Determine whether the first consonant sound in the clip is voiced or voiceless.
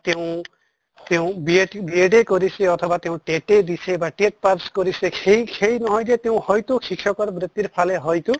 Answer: voiceless